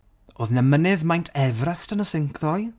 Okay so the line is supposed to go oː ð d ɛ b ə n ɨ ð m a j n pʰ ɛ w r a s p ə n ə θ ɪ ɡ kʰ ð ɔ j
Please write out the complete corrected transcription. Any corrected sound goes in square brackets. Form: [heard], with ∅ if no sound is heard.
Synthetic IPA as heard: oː ð [n] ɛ [m] ə n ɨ ð m a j n [tʰ] ɛ [v] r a s [t] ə n ə [s] ɪ [ŋ] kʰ ð ɔ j